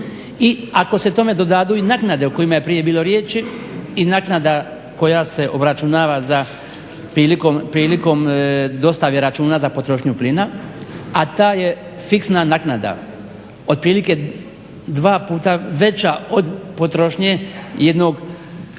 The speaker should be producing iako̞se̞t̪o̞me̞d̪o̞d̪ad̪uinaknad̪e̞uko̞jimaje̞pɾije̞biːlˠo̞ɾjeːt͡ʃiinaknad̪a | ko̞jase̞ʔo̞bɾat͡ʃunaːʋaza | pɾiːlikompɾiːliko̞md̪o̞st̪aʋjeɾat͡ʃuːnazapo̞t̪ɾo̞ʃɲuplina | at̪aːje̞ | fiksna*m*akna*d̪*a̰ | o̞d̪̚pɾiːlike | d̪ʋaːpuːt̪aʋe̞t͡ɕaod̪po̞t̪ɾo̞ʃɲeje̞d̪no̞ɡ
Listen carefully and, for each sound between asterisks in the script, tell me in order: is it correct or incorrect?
incorrect: n, correct

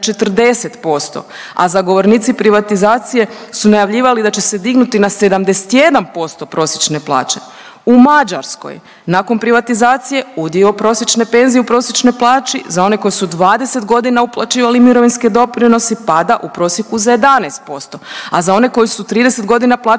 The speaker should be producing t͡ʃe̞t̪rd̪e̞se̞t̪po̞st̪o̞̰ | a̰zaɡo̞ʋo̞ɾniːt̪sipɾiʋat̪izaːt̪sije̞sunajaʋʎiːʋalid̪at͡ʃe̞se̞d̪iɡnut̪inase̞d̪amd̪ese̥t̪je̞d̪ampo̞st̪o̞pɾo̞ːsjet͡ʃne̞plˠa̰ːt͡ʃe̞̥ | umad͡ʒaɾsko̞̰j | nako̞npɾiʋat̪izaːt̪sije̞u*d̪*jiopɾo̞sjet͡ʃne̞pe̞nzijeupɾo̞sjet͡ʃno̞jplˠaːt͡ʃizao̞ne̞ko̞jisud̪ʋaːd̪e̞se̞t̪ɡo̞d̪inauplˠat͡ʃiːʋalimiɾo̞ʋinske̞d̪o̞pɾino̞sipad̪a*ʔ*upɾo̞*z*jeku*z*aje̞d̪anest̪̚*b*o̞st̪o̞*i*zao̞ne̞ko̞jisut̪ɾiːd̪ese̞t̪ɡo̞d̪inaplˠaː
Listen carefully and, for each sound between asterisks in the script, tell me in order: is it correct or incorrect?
correct, correct, incorrect: s, correct, incorrect: p, incorrect: a

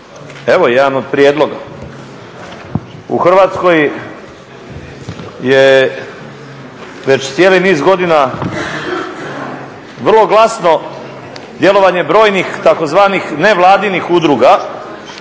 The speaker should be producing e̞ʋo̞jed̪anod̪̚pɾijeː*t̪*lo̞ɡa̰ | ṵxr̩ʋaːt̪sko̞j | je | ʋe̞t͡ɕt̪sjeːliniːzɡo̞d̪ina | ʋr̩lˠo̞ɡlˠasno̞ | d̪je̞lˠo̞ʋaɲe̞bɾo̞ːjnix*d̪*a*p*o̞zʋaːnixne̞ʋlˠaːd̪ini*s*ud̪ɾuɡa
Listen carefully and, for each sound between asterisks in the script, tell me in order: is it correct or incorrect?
incorrect: d̪, incorrect: t̪, incorrect: k, incorrect: x

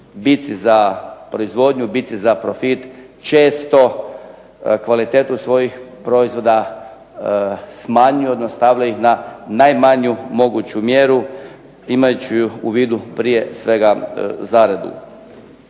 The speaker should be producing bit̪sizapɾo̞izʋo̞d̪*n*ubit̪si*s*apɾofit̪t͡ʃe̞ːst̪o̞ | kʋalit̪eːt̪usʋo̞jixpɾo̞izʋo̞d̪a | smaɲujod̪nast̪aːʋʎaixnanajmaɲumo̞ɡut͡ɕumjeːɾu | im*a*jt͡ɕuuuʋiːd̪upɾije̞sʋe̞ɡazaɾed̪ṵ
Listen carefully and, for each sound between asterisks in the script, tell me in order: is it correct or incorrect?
incorrect: ɲ, incorrect: z, correct

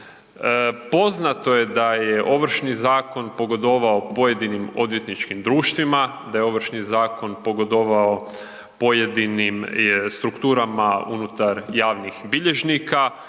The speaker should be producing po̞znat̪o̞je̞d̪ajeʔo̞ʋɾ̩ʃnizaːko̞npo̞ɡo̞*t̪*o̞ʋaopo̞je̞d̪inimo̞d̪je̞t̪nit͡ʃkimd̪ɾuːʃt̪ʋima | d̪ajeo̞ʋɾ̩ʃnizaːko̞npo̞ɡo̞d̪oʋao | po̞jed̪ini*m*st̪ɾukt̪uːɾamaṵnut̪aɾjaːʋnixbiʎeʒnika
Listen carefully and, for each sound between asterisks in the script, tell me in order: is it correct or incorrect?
incorrect: d̪, correct

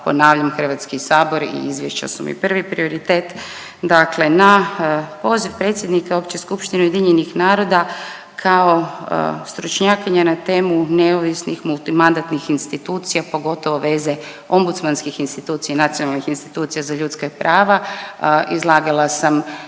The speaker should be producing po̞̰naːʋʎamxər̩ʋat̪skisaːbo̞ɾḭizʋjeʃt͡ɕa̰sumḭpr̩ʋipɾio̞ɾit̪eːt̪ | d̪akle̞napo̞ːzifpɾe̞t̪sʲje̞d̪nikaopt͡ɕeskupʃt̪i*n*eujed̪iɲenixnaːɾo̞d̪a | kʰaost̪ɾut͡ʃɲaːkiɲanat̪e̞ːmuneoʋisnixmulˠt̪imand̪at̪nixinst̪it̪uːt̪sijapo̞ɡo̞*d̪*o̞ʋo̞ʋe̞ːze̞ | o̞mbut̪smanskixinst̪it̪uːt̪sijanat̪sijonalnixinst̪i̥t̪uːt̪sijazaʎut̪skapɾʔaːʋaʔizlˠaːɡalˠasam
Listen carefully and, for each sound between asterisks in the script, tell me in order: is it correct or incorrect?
correct, incorrect: t̪

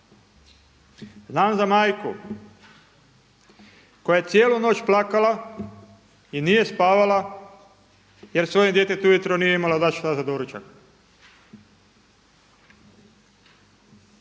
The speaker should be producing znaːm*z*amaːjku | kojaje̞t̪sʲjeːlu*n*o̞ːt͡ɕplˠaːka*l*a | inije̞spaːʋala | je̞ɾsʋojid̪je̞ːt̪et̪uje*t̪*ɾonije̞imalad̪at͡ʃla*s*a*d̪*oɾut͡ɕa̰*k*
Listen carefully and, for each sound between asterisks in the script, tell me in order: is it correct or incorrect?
correct, correct, correct, correct, incorrect: z, correct, correct

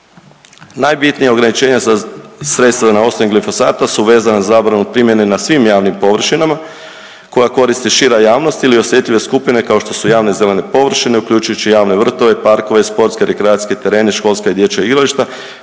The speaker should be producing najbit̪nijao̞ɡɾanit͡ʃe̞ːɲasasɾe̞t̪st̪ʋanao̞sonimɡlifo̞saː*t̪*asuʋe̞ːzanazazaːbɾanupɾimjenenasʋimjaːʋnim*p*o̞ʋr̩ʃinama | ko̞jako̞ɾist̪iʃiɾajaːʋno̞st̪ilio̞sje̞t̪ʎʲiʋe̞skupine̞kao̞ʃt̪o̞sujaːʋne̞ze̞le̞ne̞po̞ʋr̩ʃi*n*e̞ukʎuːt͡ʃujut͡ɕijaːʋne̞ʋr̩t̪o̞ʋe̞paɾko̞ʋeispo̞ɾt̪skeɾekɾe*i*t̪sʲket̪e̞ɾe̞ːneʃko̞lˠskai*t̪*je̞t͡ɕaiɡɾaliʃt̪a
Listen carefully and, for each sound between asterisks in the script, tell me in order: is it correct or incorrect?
correct, correct, correct, incorrect: a, incorrect: d̪

